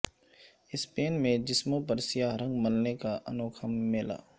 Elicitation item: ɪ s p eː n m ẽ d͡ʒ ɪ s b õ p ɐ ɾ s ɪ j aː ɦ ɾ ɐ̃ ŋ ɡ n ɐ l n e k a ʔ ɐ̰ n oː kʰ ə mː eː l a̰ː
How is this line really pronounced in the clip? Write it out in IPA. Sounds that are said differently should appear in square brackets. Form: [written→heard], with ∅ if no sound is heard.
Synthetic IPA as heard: ɪ s p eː n m ẽ d͡ʒ ɪ s [b→m] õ p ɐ ɾ s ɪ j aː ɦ ɾ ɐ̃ ŋ ɡ [n→m] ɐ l n e k a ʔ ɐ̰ n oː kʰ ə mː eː l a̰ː